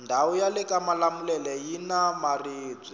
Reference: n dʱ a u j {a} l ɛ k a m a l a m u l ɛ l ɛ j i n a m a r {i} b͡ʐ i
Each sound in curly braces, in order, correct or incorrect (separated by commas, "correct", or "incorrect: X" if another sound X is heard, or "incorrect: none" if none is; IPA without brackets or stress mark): correct, incorrect: iː